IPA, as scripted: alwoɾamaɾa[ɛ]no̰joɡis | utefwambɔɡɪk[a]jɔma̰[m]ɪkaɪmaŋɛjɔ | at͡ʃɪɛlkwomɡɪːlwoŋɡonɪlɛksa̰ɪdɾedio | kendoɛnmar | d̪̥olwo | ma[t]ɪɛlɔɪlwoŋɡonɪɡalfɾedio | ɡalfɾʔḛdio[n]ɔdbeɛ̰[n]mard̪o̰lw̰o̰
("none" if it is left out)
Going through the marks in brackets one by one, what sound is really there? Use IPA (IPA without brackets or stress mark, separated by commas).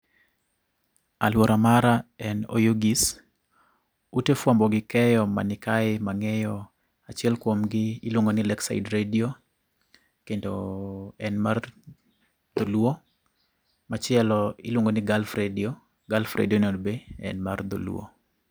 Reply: ɛ, ɛ, n, t͡ʃ, n, n